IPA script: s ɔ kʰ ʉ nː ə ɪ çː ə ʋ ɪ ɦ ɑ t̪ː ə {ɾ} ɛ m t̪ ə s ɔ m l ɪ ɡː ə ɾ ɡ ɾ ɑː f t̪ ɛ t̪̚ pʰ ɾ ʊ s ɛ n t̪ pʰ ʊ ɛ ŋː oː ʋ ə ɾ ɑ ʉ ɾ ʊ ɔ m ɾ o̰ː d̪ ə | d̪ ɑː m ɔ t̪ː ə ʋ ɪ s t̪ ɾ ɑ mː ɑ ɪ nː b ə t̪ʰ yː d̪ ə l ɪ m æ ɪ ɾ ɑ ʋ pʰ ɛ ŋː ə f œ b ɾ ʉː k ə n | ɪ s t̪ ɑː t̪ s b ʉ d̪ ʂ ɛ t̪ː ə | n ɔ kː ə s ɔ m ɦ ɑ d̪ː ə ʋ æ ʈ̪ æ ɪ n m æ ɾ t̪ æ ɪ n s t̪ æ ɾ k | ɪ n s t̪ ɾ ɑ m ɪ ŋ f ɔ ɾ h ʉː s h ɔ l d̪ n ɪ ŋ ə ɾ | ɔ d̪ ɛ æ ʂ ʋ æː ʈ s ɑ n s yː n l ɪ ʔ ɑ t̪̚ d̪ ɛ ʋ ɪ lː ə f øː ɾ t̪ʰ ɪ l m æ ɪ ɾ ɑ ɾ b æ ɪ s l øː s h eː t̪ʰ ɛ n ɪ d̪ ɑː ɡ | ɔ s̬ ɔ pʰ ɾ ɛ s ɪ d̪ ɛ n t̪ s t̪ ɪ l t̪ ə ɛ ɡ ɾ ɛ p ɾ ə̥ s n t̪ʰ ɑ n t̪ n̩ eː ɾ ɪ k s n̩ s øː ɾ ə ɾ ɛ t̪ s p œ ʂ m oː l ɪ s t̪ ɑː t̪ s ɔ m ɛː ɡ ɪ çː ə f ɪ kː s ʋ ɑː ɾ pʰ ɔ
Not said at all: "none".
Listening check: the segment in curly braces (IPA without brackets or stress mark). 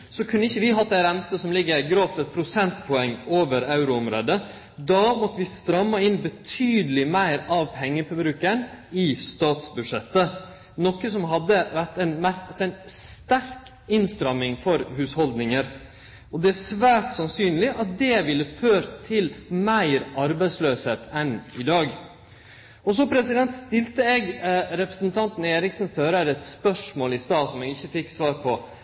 ɾ